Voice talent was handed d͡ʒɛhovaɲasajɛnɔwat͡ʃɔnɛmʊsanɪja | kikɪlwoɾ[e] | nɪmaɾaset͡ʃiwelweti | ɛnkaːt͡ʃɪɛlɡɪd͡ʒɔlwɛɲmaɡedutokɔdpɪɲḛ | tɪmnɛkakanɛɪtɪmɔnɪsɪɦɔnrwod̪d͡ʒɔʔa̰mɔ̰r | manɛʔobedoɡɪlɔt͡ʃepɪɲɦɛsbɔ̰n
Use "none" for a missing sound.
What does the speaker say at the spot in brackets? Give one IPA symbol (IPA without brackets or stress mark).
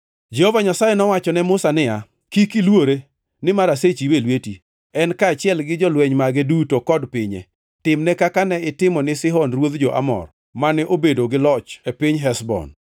e